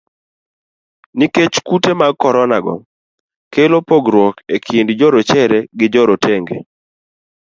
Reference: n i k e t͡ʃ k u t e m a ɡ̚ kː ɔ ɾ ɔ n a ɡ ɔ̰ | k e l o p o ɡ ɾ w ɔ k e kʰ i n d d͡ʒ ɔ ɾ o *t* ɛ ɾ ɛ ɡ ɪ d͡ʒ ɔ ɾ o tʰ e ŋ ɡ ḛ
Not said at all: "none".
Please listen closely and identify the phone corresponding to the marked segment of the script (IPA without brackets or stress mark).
t͡ʃ